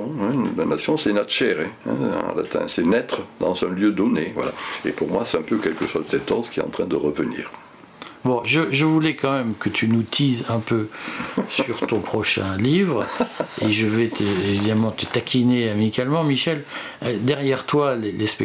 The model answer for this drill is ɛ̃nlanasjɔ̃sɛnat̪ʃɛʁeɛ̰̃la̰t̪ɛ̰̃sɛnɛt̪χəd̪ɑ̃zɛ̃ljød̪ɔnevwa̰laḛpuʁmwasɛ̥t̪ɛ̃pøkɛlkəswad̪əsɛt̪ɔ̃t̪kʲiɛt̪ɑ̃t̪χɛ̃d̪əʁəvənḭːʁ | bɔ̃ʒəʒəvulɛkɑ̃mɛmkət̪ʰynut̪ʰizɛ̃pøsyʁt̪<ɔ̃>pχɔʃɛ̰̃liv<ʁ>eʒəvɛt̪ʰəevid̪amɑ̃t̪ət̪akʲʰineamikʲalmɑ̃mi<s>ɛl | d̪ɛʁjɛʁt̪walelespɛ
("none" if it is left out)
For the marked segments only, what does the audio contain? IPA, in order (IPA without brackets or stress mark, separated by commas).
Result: ɔ̃, ʁ, ʃ